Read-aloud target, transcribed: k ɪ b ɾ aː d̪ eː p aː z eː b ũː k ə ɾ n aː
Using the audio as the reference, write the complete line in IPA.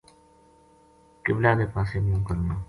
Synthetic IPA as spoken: k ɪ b l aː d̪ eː p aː s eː m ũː k ə ɾ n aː